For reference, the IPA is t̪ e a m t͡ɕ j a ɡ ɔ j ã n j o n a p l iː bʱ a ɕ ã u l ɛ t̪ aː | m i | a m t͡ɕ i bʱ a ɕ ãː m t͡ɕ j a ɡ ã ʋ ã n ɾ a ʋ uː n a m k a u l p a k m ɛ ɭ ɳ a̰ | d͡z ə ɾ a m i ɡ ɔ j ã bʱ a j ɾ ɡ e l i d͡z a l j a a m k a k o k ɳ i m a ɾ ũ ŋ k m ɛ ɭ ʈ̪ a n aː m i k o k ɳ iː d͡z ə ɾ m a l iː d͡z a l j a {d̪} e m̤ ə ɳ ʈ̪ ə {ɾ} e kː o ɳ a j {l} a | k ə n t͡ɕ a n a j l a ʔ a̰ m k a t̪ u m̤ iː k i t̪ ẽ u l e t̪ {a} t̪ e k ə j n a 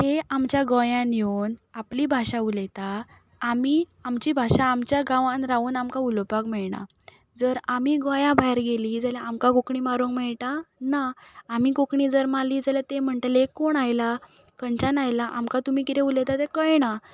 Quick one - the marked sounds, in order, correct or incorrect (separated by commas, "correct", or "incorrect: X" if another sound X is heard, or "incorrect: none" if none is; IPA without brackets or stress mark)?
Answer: incorrect: t̪, incorrect: l, correct, correct